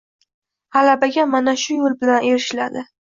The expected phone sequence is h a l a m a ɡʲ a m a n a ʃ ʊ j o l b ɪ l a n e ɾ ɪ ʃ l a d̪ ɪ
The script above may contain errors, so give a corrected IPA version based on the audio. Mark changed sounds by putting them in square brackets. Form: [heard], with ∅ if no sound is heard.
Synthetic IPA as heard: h a l a [b] a ɡʲ a m a n a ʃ ʊ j o l b ɪ l a n e ɾ ɪ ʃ l a d̪ ɪ